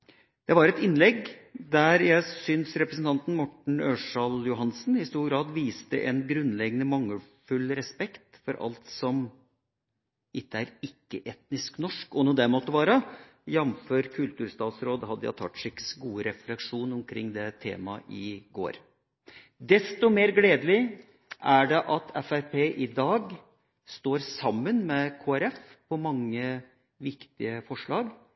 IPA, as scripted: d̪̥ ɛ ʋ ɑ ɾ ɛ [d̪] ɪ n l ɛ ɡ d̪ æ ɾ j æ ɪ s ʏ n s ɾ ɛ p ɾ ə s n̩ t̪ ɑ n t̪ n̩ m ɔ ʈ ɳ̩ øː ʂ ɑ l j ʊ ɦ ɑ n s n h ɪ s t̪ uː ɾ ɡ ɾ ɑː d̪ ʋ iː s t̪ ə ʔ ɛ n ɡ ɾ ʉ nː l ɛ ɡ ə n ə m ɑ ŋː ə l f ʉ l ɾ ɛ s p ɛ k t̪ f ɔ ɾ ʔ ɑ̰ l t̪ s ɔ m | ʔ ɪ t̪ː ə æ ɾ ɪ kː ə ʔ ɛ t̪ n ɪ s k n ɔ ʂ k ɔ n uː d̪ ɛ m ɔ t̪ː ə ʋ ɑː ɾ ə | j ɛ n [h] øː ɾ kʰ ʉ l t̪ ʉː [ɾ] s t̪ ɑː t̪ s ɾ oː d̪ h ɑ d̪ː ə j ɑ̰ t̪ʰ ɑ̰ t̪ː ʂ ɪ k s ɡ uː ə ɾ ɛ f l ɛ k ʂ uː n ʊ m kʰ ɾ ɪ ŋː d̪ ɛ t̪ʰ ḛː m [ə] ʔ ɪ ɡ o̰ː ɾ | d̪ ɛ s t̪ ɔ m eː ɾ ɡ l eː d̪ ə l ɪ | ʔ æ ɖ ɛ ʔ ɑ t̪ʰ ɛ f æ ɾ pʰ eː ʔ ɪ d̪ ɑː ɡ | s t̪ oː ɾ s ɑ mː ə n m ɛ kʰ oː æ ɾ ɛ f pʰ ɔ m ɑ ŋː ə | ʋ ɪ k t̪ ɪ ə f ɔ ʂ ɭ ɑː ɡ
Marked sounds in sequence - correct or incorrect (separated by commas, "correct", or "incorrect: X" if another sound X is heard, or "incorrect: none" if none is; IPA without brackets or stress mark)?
incorrect: t̪, incorrect: f, correct, incorrect: ɑ